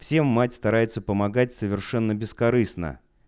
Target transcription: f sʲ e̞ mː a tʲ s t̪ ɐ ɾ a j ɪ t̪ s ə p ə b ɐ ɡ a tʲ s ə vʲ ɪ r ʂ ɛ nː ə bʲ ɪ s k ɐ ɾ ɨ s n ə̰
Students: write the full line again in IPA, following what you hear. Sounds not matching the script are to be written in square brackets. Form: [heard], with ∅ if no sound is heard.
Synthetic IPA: f sʲ e̞ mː a tʲ s t̪ ɐ ɾ a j ɪ t̪ s ə p ə [m] ɐ ɡ a tʲ s ə vʲ ɪ r ʂ ɛ nː ə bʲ ɪ s k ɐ ɾ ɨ s n ə̰

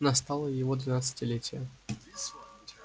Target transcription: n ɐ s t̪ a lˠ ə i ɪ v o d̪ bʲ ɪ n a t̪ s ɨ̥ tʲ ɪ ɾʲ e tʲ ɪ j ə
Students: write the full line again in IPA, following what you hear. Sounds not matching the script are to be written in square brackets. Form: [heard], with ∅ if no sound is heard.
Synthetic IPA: n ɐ s t̪ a lˠ ə [j] ɪ v o d̪ [vʲ] ɪ n a t̪ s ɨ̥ tʲ ɪ [lʲ] e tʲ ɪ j ə

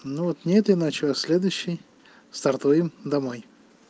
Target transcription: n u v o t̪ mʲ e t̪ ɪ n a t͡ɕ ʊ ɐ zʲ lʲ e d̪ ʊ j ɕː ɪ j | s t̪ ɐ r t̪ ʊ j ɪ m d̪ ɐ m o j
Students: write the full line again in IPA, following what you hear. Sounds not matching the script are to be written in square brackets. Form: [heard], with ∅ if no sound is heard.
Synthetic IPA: n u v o t̪ [nʲ] e t̪ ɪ n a t͡ɕ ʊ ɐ [sʲ] lʲ e d̪ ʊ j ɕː ɪ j | s t̪ ɐ r t̪ [u] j ɪ m d̪ ɐ m o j

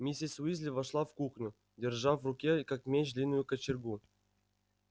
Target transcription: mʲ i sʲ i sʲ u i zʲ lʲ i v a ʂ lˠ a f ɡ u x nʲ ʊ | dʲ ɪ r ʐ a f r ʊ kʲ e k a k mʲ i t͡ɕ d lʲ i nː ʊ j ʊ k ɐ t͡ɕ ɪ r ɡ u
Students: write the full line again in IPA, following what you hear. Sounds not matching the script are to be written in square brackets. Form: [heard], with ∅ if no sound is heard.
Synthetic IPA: mʲ i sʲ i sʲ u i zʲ lʲ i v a ʂ lˠ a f [k] u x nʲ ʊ | dʲ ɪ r ʐ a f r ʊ kʲ e k a k mʲ [e] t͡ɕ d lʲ i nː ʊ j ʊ k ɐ t͡ɕ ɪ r ɡ u

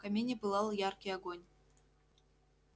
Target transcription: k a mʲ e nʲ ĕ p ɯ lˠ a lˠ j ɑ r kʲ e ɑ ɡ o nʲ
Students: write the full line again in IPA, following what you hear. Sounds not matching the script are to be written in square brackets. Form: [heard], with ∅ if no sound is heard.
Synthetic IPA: k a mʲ e nʲ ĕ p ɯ lˠ [ɑ] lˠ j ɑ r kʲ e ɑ ɡ o nʲ

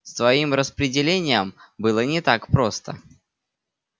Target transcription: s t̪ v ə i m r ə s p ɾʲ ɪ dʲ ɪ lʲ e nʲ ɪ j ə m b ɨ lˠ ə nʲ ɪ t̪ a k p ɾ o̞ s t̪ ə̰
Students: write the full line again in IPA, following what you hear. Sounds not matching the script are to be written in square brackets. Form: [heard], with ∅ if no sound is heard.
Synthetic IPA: s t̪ v [ɐ] i m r ə s p ɾʲ ɪ dʲ ɪ lʲ e nʲ ɪ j ə m b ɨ lˠ ə nʲ ɪ t̪ a k p ɾ o̞ s t̪ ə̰

